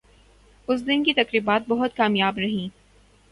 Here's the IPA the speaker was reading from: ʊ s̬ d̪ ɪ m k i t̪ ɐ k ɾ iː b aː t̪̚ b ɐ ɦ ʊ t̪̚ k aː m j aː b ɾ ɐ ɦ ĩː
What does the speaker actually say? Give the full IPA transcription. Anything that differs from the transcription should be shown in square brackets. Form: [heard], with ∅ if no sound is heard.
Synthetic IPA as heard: ʊ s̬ d̪ ɪ [n] k i t̪ ɐ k ɾ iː b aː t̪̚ b ɐ ɦ ʊ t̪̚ k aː m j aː b ɾ ɐ ɦ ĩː